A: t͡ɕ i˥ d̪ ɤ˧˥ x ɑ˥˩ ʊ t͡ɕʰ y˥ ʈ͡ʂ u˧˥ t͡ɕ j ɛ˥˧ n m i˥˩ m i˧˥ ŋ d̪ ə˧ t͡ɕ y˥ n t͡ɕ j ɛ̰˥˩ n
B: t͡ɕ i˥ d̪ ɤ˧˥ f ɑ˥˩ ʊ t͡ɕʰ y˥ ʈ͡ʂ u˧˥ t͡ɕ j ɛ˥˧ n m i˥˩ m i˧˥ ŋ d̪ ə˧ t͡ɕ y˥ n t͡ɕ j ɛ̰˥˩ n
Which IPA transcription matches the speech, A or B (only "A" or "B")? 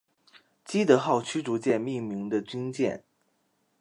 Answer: A